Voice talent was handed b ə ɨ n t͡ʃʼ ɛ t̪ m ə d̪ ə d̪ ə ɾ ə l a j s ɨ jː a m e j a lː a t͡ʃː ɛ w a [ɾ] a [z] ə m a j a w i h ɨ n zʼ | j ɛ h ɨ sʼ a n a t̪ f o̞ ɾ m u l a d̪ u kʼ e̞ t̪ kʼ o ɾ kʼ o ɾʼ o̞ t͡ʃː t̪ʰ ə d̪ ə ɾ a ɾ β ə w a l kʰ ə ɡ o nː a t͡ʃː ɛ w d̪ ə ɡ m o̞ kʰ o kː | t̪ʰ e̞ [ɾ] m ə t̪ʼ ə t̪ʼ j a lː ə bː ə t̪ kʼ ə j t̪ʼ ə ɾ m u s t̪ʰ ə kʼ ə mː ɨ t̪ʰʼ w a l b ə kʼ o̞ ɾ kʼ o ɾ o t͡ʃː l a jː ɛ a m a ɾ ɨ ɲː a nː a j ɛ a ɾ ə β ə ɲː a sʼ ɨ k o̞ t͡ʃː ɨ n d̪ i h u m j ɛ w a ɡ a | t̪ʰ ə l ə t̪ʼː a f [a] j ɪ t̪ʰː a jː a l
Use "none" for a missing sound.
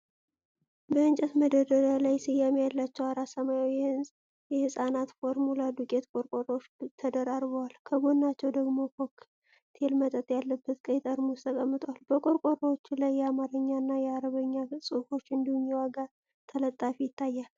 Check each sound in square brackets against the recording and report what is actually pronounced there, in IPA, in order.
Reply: ɾ, s, l, i

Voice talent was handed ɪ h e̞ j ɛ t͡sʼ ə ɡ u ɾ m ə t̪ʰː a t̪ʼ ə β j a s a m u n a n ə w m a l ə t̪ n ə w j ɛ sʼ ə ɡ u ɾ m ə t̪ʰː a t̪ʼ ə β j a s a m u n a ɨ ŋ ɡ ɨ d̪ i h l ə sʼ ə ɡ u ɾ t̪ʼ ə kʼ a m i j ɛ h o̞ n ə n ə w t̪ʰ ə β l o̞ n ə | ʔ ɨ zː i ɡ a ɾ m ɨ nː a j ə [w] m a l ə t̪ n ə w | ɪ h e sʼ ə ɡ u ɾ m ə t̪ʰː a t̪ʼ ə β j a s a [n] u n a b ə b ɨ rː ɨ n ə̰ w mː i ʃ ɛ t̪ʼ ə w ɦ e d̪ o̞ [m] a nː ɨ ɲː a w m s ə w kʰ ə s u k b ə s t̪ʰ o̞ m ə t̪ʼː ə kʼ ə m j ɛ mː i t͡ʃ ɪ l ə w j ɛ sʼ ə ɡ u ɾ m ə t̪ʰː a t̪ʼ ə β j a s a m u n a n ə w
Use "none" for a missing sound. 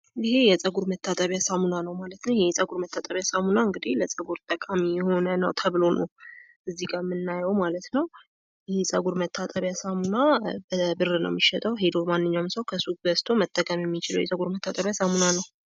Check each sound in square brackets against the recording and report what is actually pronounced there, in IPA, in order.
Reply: w, m, m

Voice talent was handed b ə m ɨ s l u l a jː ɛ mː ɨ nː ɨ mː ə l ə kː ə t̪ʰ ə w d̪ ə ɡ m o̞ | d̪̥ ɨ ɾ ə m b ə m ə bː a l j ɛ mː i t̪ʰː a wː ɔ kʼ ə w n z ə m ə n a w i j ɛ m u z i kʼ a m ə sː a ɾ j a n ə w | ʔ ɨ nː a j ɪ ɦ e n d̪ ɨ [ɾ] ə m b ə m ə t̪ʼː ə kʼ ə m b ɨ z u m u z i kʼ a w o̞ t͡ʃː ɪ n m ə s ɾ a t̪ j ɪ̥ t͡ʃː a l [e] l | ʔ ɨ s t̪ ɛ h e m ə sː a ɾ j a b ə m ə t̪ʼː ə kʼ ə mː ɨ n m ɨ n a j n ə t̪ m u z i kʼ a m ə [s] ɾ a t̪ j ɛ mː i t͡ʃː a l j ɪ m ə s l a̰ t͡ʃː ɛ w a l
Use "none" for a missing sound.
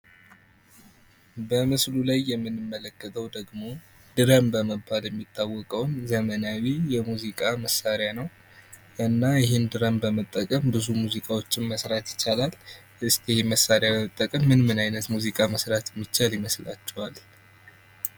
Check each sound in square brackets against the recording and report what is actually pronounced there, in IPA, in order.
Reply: ɾ, a, s

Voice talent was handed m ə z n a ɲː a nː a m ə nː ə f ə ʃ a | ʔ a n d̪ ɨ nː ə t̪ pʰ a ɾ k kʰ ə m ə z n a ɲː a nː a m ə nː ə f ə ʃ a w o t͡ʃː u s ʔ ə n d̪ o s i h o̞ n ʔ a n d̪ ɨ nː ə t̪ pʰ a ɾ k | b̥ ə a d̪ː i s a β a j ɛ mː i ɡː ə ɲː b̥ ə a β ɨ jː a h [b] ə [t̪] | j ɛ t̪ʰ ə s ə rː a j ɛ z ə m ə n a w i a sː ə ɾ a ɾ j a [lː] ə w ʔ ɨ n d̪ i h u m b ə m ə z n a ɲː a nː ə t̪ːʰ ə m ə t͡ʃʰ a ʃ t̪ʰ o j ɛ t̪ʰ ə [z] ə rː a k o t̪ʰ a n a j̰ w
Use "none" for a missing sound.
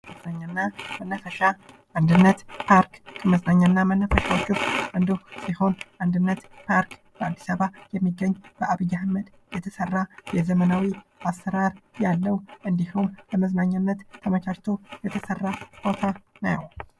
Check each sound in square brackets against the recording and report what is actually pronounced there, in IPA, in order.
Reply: m, d̪, lː, s

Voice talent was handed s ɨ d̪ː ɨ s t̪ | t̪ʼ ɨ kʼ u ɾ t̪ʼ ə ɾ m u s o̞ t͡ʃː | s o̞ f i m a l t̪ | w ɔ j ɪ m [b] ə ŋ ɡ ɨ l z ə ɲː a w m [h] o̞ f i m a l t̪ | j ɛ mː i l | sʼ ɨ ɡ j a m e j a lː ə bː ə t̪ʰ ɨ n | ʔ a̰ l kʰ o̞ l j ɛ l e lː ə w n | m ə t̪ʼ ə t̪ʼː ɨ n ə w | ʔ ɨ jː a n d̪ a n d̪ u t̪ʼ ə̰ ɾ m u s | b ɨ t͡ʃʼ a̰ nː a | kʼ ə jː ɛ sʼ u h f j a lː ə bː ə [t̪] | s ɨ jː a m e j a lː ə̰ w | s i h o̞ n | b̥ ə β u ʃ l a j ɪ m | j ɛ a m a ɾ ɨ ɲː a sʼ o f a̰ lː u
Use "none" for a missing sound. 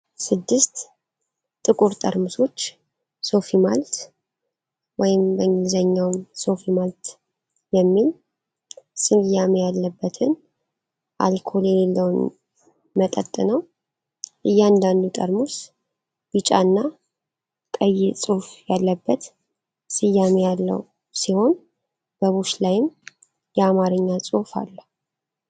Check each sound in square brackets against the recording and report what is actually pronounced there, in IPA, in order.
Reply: b, s, t̪

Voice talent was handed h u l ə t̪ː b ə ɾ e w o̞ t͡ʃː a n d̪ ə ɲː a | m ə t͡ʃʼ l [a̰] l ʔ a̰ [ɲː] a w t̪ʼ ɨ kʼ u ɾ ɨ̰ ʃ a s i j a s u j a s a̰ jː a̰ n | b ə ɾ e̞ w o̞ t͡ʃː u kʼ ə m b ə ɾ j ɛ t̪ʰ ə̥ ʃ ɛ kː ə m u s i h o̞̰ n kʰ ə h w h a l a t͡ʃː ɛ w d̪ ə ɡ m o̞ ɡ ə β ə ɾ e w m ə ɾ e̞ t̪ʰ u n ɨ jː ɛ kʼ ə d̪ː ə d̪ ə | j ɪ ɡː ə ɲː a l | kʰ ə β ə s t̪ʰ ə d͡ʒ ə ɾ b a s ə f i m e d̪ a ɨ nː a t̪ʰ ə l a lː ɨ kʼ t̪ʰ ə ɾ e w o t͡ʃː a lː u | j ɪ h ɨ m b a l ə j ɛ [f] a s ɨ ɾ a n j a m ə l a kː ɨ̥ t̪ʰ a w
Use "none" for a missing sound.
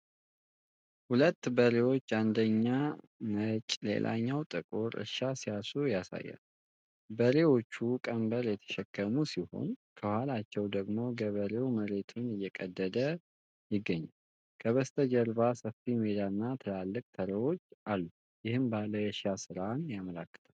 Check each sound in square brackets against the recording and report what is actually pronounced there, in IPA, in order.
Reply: ḛ, ɲː, ʃ

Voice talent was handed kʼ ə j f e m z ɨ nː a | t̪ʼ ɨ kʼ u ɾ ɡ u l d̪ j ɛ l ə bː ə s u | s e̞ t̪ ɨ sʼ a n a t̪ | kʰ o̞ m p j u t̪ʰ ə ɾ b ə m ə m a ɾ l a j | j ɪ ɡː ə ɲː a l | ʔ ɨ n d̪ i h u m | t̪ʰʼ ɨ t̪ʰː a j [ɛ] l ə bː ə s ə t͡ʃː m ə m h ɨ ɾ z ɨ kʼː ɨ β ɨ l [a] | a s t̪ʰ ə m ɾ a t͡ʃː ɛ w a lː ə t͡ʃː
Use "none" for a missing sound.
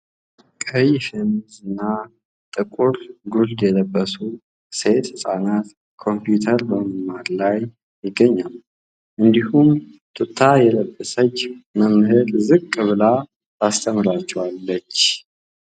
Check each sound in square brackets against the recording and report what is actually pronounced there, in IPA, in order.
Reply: ɛ, a

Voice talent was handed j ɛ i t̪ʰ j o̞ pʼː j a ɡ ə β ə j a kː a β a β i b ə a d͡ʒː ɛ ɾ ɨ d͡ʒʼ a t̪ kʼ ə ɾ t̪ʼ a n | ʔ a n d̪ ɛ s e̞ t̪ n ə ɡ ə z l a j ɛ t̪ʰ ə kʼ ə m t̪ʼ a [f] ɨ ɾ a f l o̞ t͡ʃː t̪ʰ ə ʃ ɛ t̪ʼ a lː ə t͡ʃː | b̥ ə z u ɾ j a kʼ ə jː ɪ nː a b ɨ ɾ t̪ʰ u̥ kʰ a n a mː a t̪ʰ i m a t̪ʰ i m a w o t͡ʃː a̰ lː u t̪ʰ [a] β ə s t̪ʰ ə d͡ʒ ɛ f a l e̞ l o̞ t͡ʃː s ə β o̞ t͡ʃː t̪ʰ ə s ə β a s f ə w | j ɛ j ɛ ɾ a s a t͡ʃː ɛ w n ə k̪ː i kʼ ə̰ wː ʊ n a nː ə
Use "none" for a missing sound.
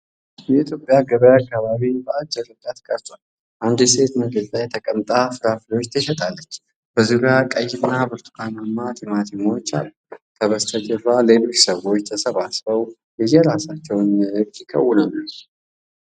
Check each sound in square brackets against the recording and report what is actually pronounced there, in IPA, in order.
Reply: f, ə

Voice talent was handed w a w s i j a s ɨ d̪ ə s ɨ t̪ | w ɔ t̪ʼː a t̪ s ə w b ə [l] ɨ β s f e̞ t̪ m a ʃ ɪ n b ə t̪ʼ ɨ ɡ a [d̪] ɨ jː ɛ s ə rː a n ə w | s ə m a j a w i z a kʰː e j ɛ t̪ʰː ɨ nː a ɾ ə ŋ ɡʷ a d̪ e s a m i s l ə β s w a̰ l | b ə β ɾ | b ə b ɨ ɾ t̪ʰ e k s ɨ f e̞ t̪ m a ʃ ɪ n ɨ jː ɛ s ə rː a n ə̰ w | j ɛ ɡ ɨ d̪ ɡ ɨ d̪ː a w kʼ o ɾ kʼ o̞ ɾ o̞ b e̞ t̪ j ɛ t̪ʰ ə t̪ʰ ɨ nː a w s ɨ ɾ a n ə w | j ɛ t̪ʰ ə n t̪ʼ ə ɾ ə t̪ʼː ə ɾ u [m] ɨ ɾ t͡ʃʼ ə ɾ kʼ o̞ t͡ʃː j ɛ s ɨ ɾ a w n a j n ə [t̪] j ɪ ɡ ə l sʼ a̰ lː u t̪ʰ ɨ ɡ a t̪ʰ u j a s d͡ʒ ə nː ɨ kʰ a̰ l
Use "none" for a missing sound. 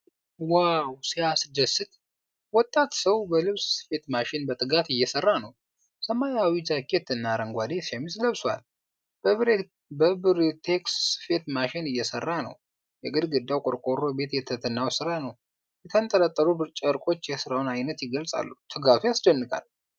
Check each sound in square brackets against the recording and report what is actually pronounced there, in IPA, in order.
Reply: l, t̪, b, t̪

